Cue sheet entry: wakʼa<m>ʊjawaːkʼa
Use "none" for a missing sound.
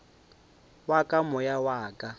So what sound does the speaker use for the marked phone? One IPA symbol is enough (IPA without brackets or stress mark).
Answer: m